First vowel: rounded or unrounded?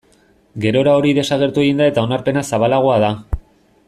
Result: unrounded